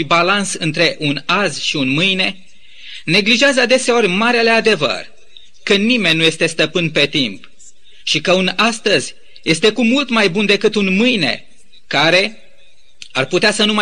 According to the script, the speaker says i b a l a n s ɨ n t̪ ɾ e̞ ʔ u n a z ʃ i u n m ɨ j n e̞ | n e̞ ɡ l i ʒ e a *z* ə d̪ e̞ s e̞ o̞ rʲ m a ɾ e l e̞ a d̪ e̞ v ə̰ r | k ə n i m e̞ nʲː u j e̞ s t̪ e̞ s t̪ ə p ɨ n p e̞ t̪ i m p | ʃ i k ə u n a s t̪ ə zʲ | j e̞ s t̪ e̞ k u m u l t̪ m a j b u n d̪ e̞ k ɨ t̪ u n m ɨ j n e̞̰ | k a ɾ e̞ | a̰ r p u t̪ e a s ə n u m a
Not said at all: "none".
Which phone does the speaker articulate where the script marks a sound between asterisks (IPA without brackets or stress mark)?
z